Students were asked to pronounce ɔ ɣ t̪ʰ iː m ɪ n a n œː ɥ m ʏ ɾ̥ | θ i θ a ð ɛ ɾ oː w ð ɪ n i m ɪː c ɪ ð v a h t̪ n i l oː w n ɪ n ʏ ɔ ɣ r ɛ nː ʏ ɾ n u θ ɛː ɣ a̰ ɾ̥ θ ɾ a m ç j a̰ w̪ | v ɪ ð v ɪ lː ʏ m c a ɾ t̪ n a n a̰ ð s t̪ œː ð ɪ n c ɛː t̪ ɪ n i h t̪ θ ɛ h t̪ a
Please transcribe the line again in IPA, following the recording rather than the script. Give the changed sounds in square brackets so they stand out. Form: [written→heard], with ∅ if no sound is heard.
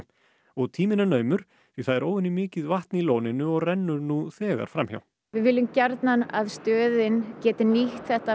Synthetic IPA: ɔ ɣ t̪ʰ iː m ɪ n a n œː ɥ m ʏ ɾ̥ | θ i θ a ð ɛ ɾ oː w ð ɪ n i m ɪː c ɪ ð v a h t̪ n i l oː w n ɪ n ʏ ɔ ɣ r ɛ nː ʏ ɾ n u θ ɛː ɣ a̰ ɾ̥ [θ→f] ɾ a m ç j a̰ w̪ | v ɪ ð v ɪ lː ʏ m c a ɾ t̪ n a n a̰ ð s t̪ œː ð ɪ n c ɛː t̪ ɪ n i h t̪ θ ɛ h t̪ a

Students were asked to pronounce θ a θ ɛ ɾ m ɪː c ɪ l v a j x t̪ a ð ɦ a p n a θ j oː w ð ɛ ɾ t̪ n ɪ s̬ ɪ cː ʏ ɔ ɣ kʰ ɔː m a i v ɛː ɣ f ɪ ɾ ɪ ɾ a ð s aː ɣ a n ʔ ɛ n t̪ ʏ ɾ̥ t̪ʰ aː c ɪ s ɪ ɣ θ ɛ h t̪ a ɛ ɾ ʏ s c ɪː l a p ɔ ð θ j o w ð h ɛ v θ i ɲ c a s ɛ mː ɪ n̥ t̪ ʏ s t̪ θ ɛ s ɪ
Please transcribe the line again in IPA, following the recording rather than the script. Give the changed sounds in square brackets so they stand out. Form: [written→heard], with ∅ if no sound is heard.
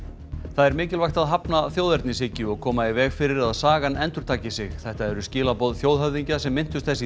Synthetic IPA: θ a [θ→ð] ɛ ɾ m ɪː c ɪ l v a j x t̪ a ð ɦ a p n a θ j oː w ð ɛ ɾ t̪ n ɪ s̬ ɪ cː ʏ ɔ ɣ kʰ ɔː m a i v ɛː ɣ f ɪ ɾ ɪ ɾ a ð s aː ɣ a n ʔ ɛ n t̪ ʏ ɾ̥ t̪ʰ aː c ɪ s ɪ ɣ θ ɛ h t̪ a ɛ ɾ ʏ s c ɪː l a p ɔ ð θ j o w ð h [ɛ→œ] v [θ→ð] i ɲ c a s ɛ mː ɪ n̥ t̪ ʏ s t̪ θ ɛ s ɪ

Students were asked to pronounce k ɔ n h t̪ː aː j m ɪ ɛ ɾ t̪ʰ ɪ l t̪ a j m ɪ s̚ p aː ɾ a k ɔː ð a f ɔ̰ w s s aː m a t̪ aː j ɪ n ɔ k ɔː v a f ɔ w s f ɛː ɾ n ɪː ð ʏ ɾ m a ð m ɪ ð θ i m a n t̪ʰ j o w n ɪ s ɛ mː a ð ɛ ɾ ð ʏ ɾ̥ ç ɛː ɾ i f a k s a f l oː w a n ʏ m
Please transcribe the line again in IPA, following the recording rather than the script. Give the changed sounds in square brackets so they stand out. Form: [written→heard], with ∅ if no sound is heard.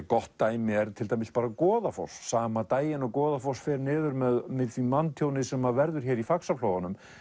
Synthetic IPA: k ɔ [n→∅] h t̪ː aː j m ɪ ɛ ɾ t̪ʰ ɪ l t̪ a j m ɪ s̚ p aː ɾ a k ɔː ð a f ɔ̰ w s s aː m a t̪ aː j ɪ n ɔ k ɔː [v→ð] a f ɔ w s f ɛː ɾ n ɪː ð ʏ ɾ m [a→ɛ] ð m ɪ ð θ i m a n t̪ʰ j o w n ɪ s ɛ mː a [ð→v] ɛ ɾ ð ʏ ɾ̥ ç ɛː ɾ i f a k s a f l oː w a n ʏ m

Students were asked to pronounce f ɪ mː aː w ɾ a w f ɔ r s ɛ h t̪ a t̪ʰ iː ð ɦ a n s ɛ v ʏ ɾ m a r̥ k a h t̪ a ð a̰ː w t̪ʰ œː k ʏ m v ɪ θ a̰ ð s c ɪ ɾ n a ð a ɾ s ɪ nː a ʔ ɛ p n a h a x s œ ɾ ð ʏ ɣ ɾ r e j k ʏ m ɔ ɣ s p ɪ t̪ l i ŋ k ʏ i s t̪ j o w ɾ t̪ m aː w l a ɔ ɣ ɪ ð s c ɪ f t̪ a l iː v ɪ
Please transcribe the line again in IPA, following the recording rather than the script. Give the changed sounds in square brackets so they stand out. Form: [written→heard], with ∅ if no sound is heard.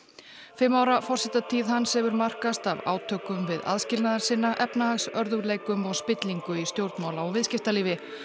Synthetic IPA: f ɪ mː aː w ɾ a [w→∅] f ɔ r s ɛ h t̪ a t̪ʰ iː ð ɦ a n s ɛ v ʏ ɾ m a r̥ k a [h→s] t̪ a [ð→v] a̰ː w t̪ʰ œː k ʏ m v ɪ [θ→ð] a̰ ð s c ɪ [ɾ→l] n a ð a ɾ s ɪ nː a ʔ ɛ p n a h a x s œ ɾ ð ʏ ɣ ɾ [r→l] e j k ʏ m ɔ ɣ s p ɪ t̪ l i ŋ k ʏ i s t̪ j o w ɾ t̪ m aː w l a ɔ [ɣ→v] ɪ ð s c ɪ f t̪ a l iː v ɪ

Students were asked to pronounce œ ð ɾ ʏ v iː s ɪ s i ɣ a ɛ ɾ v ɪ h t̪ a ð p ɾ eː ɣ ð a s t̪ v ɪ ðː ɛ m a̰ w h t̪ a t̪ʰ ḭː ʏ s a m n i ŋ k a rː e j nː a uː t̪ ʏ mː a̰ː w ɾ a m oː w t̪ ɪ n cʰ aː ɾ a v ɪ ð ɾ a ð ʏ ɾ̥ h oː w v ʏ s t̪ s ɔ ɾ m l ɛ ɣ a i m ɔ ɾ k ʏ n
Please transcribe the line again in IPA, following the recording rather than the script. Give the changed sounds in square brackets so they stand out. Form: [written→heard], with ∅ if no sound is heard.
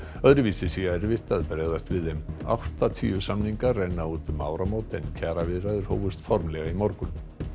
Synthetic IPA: œ ð ɾ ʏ v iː s ɪ s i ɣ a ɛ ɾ v ɪ h t̪ a ð p ɾ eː ɣ ð a s t̪ v ɪ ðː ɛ m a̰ w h t̪ a t̪ʰ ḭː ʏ s a m n i ŋ k a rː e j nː a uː t̪ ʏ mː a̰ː w ɾ a m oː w t̪ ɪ n cʰ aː ɾ a v ɪ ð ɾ a ð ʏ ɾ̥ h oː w v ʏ s t̪ [s→f] ɔ ɾ m l ɛ ɣ a i m ɔ ɾ k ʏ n

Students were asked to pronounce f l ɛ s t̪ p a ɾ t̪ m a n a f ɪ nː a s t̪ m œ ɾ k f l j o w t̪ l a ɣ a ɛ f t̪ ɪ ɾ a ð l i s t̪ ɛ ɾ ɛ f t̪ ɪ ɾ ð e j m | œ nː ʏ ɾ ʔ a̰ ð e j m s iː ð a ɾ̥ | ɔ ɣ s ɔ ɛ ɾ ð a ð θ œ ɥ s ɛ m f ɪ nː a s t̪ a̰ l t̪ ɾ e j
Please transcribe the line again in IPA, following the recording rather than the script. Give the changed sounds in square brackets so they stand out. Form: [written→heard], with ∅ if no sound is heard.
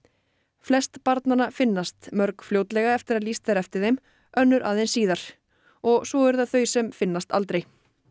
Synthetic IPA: f l ɛ s t̪ p a ɾ t̪ [m→n] a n a f ɪ nː a s t̪ m œ ɾ k f l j o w t̪ l [a→ɛ] ɣ a ɛ f t̪ ɪ ɾ a ð l i s t̪ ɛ ɾ ɛ f t̪ ɪ ɾ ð e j m | œ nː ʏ ɾ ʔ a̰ ð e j [m→n] s iː ð a ɾ̥ | ɔ ɣ s ɔ ɛ ɾ ð a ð θ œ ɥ s ɛ m f ɪ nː a s t̪ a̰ l t̪ ɾ e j

